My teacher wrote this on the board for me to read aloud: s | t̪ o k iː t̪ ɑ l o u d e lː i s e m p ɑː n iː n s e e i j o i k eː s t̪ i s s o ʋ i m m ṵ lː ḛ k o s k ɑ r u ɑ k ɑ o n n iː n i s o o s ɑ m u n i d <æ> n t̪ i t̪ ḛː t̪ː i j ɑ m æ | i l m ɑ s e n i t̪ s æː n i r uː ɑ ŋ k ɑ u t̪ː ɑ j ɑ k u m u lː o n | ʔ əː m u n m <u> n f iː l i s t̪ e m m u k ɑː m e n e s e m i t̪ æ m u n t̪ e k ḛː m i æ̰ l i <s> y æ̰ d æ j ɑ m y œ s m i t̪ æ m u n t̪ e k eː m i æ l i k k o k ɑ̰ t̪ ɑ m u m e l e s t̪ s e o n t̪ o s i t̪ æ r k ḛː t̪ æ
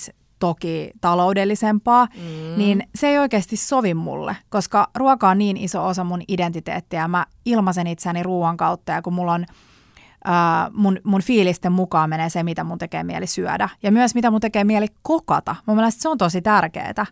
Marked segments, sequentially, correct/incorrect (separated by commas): incorrect, correct, correct